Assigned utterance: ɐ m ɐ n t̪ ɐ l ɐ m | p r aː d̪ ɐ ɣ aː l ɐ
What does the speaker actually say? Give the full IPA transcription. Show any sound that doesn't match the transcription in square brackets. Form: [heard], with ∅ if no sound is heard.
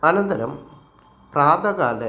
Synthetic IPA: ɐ [n] ɐ n [d̪] ɐ [ɾ] ɐ m | p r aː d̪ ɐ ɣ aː l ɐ